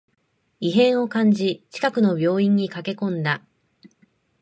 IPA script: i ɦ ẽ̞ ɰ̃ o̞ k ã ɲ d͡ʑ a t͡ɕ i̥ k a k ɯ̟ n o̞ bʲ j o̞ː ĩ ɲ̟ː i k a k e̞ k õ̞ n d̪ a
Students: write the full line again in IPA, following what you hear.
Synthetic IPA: i ɦ ẽ̞ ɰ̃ o̞ k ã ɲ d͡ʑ i t͡ɕ i̥ k a k ɯ̟ n o̞ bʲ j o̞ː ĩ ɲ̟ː i k a k e̞ k õ̞ n d̪ a